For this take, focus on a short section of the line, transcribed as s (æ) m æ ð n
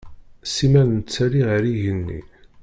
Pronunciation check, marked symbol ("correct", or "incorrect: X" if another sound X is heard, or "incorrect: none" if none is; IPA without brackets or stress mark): incorrect: i